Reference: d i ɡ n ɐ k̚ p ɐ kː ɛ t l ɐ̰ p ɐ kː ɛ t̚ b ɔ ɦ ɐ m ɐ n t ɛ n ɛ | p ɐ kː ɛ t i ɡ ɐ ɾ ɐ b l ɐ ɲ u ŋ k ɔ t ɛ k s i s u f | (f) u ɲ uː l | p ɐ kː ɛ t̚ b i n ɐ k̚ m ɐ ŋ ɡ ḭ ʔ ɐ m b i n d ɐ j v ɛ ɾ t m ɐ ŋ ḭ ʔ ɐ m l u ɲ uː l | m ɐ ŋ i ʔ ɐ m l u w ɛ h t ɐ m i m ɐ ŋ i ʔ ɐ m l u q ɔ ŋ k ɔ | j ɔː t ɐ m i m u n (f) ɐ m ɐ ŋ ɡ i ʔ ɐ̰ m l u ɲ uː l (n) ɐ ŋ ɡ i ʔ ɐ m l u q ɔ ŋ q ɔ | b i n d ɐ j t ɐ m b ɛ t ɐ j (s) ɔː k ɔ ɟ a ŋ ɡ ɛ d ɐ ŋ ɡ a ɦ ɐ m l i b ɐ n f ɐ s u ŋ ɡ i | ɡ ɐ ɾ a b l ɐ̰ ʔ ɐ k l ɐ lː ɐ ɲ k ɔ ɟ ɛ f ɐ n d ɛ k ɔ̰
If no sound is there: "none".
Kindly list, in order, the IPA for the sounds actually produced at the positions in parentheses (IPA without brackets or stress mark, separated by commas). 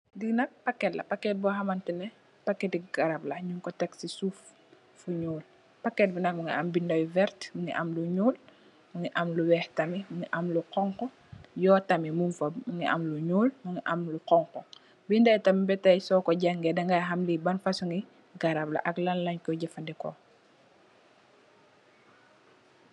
f, f, m, s